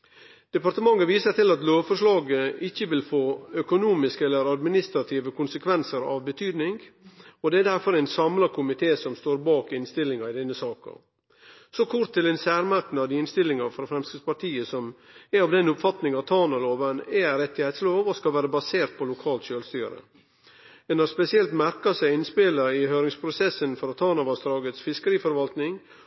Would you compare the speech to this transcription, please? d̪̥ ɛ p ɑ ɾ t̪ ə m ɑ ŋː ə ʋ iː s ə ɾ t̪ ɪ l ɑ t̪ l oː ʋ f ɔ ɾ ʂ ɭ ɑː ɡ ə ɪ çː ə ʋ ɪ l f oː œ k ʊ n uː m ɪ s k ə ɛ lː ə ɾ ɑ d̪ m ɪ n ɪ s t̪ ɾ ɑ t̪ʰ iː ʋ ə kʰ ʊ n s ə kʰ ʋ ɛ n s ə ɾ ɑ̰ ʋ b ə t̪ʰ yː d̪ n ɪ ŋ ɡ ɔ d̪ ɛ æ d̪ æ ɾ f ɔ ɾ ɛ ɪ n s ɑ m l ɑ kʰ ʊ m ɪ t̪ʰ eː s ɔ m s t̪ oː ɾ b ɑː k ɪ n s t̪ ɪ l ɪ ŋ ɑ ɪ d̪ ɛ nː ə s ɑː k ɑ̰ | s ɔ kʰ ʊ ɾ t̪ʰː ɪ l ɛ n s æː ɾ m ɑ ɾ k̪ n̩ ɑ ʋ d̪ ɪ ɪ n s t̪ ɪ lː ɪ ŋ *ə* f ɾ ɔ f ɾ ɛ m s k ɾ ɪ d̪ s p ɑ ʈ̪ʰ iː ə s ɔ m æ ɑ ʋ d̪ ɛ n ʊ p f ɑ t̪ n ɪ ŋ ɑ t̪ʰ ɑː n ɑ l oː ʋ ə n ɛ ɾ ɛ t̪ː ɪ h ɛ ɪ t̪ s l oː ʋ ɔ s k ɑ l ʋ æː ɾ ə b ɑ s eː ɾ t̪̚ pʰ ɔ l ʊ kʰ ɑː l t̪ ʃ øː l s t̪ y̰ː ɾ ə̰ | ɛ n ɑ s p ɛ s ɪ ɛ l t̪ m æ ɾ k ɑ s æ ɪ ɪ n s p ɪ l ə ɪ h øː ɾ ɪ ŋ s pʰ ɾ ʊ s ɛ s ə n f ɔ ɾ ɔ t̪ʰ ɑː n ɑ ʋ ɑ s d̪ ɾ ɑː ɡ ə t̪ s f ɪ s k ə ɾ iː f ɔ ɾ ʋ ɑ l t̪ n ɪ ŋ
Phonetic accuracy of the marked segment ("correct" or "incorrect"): incorrect